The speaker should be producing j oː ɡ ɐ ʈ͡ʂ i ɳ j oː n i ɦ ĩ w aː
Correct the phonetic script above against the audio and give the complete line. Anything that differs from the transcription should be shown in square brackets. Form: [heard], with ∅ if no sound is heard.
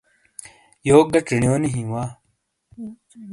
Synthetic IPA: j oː ɡ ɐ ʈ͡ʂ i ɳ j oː n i ɦ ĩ w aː